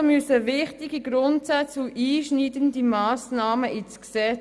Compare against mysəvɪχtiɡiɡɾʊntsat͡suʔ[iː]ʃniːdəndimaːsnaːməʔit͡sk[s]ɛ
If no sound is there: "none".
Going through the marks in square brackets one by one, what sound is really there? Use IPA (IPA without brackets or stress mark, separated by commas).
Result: iː, s